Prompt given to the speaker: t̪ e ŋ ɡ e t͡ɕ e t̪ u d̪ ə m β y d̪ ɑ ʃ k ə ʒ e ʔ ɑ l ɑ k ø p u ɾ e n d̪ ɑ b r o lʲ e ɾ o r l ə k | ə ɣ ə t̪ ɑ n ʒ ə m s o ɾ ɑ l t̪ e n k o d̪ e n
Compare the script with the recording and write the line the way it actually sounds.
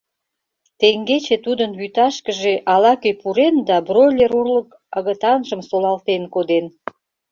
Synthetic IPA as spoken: t̪ e ŋ ɡ e t͡ɕ e t̪ u d̪ ə n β y t̪ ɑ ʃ k ə ʒ e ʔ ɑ l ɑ k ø p u ɾ e n d̪ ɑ b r o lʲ e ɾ u r l ə k | ə ɣ ə t̪ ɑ n ʒ ə m s o l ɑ l t̪ e n k o d̪ e n

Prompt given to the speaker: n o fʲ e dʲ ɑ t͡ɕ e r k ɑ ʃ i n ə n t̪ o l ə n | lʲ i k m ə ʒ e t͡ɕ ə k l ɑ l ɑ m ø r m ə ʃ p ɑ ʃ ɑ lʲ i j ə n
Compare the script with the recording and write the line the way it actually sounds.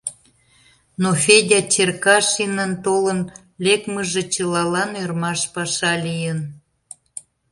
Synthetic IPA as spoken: n o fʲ e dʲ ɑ t͡ɕ e r k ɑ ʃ i n ə n t̪ o l ə n | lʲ e k m ə ʒ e t͡ɕ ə l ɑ l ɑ n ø r m ɑ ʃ p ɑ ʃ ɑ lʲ i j ə n

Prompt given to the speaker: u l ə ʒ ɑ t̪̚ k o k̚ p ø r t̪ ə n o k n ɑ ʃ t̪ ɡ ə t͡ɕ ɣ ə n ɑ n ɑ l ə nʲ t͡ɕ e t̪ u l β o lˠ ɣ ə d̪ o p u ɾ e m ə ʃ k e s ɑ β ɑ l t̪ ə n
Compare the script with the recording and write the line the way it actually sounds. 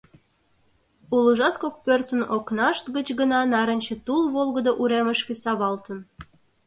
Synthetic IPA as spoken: u l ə ʒ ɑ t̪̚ k o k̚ p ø r t̪ ə n o k n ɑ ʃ t̪ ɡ ə t͡ɕ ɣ ə n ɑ n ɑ ɾ ə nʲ t͡ɕ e t̪ u l β o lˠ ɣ ə d̪ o ʔ u ɾ e m ə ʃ k e s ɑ β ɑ l t̪ ə n

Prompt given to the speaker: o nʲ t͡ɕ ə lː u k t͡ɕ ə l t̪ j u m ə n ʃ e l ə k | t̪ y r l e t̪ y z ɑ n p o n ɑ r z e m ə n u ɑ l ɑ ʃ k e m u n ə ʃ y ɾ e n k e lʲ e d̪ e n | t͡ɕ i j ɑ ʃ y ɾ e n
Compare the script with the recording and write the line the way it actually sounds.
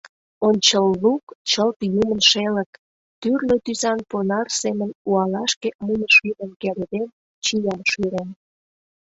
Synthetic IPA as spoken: o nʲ t͡ɕ ə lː u k t͡ɕ ə l t̪ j u m ə n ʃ e l ə k | t̪ y r l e t̪ y z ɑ n p o n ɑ r s e m ə n u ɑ l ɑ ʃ k e m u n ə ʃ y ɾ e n k e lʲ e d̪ e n | t͡ɕ i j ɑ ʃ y ɾ e n

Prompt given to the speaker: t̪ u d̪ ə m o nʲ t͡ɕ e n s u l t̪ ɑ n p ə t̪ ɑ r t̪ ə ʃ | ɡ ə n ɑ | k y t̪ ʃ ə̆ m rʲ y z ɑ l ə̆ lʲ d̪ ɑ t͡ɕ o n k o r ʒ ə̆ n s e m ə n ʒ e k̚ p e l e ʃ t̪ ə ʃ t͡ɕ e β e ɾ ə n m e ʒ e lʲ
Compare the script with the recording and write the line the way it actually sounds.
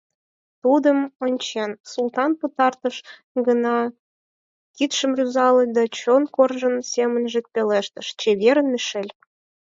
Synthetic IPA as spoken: t̪ u d̪ ə m o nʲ t͡ɕ e n s u l t̪ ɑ n p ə t̪ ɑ r t̪ ə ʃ | ɡ ə n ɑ | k i t̪ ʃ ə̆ m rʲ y z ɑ l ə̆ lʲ d̪ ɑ t͡ɕ o n k o r ʒ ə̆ n s e m ə n ʒ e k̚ p e l e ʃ t̪ ə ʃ t͡ɕ e β e ɾ ə n m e ʃ e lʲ

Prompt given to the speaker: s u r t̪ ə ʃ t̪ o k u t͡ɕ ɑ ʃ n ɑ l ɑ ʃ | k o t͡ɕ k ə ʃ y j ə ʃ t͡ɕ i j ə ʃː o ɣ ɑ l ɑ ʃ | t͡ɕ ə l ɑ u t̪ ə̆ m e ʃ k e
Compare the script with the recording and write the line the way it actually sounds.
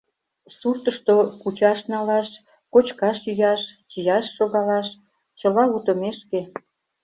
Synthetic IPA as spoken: s u r t̪ ə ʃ t̪ o k u t͡ɕ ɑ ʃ n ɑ l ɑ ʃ | k o t͡ɕ k ɑ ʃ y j ɑ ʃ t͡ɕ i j ɑ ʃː o ɣ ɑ l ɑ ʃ | t͡ɕ ə l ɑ u t̪ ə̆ m e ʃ k e

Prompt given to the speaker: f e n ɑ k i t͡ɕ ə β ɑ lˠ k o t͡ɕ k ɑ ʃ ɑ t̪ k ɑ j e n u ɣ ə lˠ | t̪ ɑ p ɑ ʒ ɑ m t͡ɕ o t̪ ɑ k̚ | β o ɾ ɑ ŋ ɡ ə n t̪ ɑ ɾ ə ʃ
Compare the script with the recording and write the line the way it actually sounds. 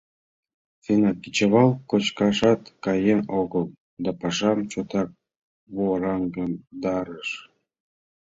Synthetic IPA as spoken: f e n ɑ k i t͡ɕ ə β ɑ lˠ k o t͡ɕ k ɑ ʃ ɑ t̪ k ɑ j e n o ɣ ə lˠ | d̪ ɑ p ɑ ʃ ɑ m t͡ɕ o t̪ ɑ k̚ | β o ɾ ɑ ŋ ɡ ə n d̪ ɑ ɾ ə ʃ

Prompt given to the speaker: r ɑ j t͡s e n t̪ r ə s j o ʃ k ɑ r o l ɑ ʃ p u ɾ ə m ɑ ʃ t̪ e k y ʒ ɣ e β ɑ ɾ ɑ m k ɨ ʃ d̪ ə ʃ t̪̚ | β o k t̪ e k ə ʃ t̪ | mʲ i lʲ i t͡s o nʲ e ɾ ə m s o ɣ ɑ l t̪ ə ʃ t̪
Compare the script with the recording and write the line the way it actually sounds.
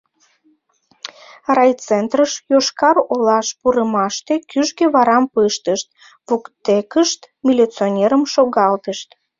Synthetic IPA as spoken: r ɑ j t͡s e n t̪ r ə ʃ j o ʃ k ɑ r o l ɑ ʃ p u ɾ ə m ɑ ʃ t̪ e k y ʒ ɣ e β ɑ ɾ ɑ m p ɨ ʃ t̪ ə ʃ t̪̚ | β u k t̪ e k ə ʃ t̪ | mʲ i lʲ i t͡s o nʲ e ɾ ə m ʃ o ɣ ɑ l t̪ ə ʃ t̪

